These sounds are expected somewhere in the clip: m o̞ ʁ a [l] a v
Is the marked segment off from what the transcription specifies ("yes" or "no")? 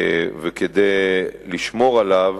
no